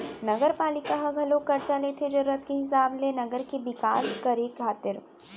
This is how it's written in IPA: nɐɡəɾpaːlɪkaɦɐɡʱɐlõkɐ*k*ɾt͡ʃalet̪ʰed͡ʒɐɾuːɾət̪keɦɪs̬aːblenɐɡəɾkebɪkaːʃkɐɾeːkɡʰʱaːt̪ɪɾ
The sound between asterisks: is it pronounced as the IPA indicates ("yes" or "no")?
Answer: no